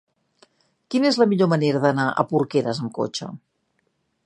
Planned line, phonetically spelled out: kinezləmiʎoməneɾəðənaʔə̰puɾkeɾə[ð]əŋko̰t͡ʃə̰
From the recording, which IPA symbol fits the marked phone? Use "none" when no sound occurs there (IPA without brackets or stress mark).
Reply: z